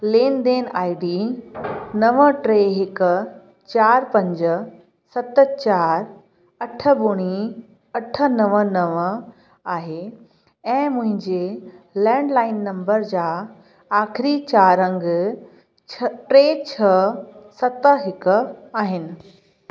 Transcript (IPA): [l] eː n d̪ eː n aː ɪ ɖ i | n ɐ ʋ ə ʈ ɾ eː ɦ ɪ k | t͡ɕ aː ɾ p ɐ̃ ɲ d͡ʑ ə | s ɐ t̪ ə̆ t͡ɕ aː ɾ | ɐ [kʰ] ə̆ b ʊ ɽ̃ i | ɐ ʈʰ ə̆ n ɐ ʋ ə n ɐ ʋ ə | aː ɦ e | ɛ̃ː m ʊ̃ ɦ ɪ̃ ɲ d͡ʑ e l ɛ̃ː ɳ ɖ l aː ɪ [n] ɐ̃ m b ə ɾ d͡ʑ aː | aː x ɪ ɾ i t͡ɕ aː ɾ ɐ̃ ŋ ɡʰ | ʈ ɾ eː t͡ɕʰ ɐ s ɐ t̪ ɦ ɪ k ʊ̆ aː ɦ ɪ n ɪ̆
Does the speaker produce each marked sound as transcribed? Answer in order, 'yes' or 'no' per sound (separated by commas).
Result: yes, no, no